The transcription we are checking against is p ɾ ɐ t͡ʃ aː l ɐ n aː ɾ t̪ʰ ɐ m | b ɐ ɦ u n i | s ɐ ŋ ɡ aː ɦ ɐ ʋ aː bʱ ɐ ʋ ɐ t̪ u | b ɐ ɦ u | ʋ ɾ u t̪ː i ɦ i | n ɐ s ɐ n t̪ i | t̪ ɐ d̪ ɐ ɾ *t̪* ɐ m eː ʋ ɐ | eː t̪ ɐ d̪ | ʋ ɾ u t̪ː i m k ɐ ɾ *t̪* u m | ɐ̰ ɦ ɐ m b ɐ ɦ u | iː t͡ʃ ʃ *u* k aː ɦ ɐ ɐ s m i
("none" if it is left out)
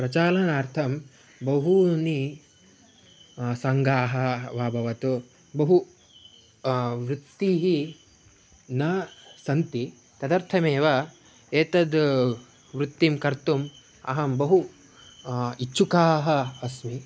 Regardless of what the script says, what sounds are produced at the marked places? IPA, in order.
t̪ʰ, t̪, u

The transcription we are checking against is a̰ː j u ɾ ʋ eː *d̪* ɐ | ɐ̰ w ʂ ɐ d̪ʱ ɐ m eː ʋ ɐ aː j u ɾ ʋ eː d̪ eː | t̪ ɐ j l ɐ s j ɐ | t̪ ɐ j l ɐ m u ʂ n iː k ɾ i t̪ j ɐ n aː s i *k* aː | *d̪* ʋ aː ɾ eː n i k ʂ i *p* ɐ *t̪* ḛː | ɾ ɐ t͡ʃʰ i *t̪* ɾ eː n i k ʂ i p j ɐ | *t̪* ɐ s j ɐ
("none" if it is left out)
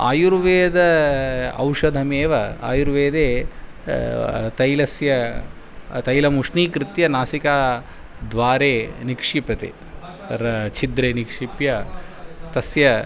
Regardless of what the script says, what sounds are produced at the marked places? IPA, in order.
d̪, k, d̪, p, t̪, d̪, t̪

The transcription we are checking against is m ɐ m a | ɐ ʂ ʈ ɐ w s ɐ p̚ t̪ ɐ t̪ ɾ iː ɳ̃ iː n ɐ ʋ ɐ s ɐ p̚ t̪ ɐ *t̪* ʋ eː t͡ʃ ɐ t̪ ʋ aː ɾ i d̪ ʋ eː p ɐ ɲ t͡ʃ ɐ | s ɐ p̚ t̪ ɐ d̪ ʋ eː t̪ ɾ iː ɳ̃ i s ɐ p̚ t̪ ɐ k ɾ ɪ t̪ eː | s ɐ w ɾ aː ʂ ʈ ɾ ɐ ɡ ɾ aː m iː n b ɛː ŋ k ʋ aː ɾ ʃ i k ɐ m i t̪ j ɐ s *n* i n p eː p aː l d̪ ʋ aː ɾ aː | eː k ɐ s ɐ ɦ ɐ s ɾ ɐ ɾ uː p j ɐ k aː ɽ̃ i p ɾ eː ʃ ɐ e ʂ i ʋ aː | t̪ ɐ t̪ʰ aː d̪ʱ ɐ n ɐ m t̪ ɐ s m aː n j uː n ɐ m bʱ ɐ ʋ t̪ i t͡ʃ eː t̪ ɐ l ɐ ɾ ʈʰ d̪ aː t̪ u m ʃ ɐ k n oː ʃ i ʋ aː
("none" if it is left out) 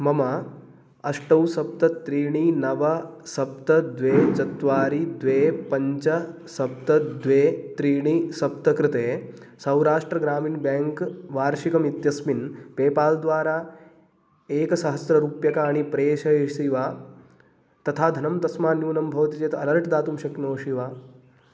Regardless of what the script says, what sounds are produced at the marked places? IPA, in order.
d̪, m

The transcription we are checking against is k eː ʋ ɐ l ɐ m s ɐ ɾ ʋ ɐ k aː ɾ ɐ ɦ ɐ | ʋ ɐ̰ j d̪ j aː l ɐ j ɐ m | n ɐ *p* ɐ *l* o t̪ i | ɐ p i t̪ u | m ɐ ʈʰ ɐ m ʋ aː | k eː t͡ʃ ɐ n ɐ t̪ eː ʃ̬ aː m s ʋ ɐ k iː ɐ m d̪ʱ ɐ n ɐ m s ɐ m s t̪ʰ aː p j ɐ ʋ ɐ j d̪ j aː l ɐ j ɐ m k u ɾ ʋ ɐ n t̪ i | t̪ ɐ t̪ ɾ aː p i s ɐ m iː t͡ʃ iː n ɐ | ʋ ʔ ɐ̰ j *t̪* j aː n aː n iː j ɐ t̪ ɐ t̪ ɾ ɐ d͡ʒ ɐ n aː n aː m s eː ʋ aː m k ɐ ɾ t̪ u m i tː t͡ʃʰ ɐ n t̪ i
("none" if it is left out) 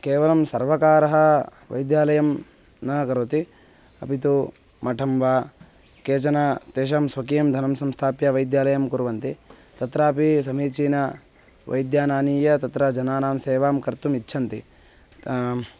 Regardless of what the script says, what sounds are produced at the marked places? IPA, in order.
k, ɾ, d̪

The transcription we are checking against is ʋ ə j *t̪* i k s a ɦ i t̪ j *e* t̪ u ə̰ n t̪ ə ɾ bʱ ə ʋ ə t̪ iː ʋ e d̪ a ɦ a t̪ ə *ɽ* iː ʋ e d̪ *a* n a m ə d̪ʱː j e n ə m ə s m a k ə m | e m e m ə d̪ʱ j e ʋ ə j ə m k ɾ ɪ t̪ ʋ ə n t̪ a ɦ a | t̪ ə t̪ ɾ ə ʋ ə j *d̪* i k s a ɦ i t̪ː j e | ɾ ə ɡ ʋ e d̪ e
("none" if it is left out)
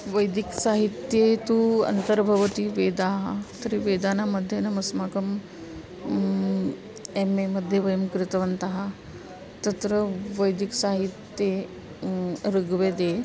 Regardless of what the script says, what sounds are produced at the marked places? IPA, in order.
d̪, e, ɾ, a, d̪

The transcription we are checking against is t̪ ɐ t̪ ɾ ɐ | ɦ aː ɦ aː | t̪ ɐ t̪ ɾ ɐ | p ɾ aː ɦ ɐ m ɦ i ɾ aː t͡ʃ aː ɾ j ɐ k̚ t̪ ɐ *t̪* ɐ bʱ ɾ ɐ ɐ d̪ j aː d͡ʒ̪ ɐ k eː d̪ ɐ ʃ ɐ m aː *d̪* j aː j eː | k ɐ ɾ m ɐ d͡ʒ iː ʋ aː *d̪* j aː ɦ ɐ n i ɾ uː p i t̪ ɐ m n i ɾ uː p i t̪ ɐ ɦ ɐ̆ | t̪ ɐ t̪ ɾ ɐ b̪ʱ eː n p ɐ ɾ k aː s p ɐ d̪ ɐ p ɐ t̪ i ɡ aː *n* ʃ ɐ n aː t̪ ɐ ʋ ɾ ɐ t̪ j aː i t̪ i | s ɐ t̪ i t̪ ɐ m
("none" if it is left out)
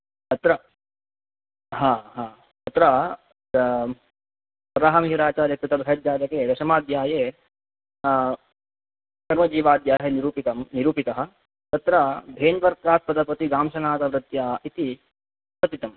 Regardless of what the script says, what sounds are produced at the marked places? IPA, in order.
t̪, d̪, d̪, m

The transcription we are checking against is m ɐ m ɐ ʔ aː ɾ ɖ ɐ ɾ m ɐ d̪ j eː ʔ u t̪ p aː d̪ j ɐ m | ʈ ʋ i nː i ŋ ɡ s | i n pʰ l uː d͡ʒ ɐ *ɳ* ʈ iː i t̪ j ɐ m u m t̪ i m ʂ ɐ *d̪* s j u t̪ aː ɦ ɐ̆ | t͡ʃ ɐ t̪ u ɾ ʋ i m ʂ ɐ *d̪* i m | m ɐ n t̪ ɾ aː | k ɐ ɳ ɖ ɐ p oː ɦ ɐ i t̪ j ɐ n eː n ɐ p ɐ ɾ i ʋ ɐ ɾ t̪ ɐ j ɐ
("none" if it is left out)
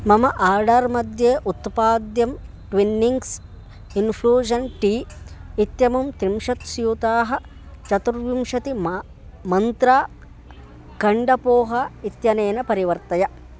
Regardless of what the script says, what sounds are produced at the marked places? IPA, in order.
n, t̪, t̪

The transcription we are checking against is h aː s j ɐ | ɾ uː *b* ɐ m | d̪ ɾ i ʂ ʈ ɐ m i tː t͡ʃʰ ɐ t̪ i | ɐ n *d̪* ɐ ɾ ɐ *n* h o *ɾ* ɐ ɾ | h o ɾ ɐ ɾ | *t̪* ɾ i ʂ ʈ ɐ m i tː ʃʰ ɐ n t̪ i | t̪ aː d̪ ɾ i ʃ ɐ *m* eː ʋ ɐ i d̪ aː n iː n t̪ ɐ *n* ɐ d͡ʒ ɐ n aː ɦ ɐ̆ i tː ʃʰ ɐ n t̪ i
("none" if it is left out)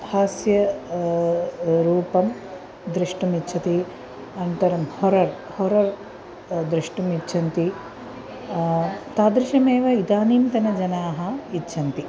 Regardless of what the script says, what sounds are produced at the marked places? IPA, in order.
p, t̪, m, ɾ, d̪, m, n

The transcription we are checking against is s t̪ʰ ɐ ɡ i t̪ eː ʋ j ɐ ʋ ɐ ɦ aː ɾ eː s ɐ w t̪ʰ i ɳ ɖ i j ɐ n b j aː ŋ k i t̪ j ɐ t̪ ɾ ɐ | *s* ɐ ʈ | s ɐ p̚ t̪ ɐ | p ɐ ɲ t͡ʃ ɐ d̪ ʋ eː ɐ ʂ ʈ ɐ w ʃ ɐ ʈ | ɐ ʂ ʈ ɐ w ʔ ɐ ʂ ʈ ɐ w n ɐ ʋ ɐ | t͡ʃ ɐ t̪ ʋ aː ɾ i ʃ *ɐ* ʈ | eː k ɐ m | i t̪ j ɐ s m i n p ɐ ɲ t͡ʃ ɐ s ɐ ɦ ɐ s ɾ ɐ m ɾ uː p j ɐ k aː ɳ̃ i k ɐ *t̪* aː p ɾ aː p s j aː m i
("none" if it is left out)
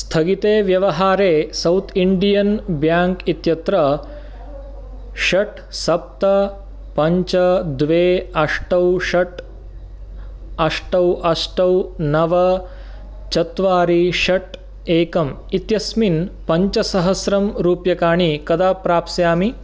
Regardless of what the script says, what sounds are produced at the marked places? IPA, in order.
ʃ, ɐ, d̪

